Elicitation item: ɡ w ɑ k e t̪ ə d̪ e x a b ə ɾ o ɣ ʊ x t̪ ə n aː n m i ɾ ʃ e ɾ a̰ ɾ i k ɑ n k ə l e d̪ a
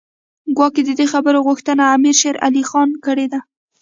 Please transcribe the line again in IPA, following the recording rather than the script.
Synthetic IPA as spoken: ɡ w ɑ k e d̪ ə d̪ e x a b ə ɾ o ɣ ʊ x t̪ ə n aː m i ɾ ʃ e ɾ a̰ l i x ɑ n k ə ɽ e d̪ a